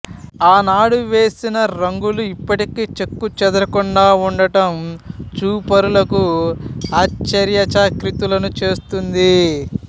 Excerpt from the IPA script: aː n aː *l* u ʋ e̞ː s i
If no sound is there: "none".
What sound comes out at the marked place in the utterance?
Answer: ɽ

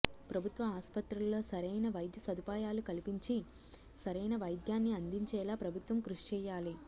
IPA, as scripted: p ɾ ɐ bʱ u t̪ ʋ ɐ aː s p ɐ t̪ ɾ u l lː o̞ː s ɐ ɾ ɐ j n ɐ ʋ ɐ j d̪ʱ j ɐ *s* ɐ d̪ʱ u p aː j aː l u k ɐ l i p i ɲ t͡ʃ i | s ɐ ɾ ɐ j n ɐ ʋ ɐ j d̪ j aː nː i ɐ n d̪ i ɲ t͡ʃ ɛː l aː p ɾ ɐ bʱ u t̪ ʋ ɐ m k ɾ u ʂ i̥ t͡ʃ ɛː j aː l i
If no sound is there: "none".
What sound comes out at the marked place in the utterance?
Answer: s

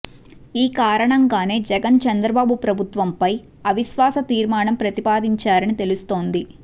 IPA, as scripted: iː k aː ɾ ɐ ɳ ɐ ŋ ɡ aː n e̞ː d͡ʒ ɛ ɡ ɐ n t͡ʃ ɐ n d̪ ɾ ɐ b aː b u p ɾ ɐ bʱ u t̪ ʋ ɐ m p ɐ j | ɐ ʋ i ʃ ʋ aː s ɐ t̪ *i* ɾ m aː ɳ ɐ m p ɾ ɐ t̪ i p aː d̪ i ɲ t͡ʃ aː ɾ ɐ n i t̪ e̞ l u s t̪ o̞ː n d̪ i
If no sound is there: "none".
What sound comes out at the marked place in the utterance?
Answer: iː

